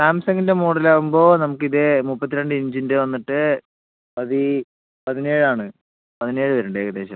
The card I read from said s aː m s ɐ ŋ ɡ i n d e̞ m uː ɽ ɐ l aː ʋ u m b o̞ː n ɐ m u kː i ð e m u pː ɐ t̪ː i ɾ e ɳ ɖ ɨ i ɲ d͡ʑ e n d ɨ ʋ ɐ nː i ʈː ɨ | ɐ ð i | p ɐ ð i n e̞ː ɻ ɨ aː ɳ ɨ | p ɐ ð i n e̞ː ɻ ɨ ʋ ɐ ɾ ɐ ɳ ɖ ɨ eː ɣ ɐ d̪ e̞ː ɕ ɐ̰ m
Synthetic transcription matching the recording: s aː m s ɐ ŋ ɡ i n d e̞ m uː ɽ ɐ l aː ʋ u m b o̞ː n ɐ m u kː i ð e m u pː ɐ t̪ː i ɾ e ɳ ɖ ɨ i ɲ d͡ʑ i n d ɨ ʋ ɐ nː i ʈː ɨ | ɐ ð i | p ɐ ð i n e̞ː ɻ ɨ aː ɳ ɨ | p ɐ ð i n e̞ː ɻ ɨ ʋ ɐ ɾ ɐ ɳ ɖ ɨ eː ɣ ɐ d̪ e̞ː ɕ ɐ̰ m